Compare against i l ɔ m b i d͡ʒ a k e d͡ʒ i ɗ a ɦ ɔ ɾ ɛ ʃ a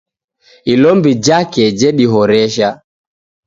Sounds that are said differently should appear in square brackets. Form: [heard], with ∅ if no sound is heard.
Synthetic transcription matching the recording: i l ɔ m b i d͡ʒ a k [ɛ] d͡ʒ [ɛ] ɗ [i] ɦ ɔ ɾ ɛ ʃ a